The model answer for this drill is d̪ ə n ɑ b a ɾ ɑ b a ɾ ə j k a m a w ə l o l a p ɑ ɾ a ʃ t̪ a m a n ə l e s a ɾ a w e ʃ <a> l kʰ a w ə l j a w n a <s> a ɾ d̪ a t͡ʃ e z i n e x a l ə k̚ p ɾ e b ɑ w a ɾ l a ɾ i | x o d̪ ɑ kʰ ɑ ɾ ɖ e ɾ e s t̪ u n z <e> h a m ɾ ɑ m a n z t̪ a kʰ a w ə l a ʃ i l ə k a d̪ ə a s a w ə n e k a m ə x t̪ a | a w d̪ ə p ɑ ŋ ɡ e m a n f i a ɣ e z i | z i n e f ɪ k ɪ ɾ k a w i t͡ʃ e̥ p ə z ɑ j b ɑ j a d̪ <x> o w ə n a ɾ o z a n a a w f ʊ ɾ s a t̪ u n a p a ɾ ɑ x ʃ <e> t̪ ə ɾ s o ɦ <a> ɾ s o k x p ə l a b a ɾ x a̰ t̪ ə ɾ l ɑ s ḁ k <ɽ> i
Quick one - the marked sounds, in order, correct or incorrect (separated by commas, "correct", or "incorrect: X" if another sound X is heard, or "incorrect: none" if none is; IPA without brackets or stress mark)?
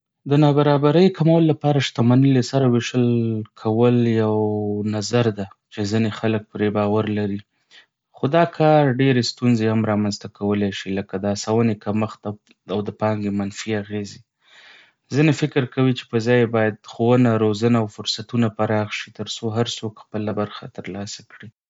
incorrect: ə, incorrect: z, correct, correct, incorrect: i, correct, correct